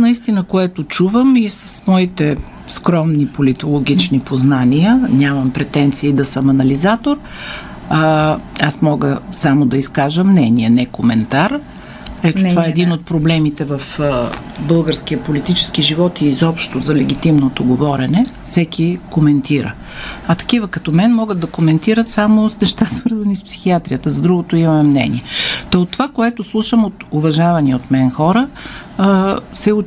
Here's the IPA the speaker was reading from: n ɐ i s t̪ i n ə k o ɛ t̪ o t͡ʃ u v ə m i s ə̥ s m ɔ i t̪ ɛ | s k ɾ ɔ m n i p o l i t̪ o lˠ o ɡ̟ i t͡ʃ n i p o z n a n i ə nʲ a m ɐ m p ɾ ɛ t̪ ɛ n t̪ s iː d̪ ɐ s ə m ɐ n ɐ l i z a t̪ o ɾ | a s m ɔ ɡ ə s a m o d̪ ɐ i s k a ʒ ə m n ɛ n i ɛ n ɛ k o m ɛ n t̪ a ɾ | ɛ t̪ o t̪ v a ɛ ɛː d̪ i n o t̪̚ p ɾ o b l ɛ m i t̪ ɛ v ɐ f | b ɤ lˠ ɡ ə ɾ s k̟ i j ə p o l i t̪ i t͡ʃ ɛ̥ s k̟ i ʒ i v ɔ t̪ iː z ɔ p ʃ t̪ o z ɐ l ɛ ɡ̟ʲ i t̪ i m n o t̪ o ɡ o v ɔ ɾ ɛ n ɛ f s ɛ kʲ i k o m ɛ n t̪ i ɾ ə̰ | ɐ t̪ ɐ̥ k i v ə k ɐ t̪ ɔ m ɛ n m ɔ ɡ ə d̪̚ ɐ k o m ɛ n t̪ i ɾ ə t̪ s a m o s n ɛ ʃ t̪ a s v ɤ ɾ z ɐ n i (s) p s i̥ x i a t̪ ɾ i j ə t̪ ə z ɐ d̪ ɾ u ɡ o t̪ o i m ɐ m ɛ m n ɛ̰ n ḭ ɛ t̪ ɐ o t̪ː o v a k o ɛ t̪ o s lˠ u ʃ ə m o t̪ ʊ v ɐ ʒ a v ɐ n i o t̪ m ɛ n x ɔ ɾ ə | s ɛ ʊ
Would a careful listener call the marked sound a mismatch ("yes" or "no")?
no